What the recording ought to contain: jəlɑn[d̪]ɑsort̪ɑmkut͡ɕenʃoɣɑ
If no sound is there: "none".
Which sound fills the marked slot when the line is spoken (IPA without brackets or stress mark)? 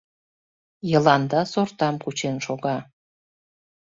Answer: d̪